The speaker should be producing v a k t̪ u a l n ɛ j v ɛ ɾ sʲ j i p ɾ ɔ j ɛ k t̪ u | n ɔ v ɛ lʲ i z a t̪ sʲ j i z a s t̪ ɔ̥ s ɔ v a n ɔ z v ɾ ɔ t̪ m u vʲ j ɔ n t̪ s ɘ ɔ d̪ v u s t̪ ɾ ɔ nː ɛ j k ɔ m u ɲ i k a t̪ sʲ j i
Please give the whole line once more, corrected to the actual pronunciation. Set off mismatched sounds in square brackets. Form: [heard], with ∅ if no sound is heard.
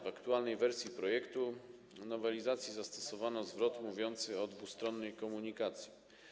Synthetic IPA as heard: v a k t̪ u a l n ɛ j v ɛ ɾ sʲ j i p ɾ ɔ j ɛ k t̪ u | n ɔ v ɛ lʲ i z a t̪ sʲ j i z a s t̪ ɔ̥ s ɔ v a n ɔ z v ɾ ɔ t̪ m u vʲ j ɔ n t̪ s ɘ ɔ d̪ v u s t̪ ɾ ɔ nː ɛ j k ɔ m u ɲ i k a t̪ sʲ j i